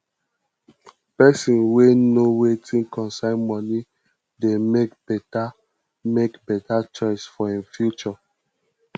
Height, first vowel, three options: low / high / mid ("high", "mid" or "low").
mid